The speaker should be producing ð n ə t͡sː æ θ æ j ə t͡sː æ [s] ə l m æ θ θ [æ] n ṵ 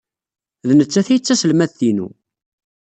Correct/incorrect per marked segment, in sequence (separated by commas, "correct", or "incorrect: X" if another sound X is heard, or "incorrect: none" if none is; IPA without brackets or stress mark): correct, incorrect: i